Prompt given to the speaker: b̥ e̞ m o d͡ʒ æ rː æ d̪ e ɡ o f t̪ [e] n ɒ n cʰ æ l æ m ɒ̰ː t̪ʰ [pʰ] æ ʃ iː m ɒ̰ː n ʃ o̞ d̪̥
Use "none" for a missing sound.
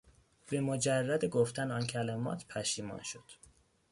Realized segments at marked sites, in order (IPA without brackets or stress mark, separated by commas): æ, pʰ